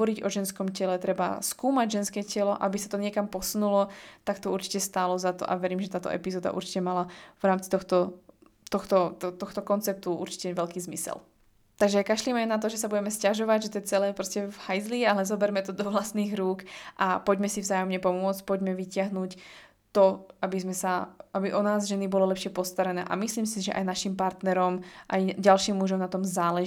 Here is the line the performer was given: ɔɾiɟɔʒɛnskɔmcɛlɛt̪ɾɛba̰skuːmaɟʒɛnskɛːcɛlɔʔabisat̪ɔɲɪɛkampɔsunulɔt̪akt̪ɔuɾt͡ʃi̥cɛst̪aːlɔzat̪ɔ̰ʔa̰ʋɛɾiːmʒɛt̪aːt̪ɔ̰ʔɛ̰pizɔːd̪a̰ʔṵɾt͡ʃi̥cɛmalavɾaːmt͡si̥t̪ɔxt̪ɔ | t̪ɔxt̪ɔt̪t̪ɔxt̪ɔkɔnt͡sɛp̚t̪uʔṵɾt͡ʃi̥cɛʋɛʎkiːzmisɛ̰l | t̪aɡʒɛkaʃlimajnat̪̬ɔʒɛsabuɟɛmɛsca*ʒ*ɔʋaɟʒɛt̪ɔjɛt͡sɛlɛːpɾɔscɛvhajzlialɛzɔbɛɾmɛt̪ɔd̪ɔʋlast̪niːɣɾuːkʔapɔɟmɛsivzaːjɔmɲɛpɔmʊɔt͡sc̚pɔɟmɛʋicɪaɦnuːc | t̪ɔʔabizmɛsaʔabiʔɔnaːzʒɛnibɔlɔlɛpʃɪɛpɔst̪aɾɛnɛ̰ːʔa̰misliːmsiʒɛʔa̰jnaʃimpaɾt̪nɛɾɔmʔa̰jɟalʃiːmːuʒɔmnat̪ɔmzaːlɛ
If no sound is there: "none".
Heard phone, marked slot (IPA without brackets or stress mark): ʒ